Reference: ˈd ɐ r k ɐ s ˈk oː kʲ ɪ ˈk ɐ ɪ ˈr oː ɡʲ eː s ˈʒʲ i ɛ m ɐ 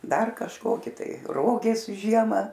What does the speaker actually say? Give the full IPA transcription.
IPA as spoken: ˈd ɐ r k ɐ ʃ ˈk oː kʲ ɪ ˈt ɐ ɪ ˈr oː ɡʲ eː s ˈʒʲ i ɛ m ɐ